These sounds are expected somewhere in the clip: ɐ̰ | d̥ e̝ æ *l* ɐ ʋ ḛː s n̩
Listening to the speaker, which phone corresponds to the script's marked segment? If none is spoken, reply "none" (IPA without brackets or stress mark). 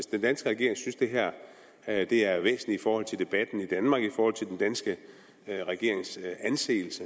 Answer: none